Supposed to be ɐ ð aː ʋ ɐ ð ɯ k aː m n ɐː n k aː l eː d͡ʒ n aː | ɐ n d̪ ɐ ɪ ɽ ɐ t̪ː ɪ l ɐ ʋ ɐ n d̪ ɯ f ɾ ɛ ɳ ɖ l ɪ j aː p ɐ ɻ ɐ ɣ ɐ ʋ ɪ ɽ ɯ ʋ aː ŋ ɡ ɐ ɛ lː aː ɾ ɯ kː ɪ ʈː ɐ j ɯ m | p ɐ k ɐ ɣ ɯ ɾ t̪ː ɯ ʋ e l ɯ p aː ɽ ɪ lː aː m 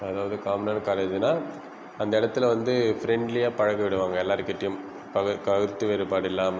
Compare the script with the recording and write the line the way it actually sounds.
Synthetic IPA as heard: ɐ ð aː ʋ ɐ ð ɯ k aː m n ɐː n k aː l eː d͡ʒ n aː | ɐ n d̪ ɐ ɪ ɽ ɐ t̪ː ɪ l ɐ ʋ ɐ n d̪ ɯ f ɾ ɛ ɳ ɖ l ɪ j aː p ɐ ɻ ɐ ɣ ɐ ʋ ɪ ɽ ɯ ʋ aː ŋ ɡ ɐ ɛ lː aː ɾ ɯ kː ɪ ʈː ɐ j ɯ m | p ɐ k ɐ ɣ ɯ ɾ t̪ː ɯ ʋ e ɾ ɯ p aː ɽ ɪ lː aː m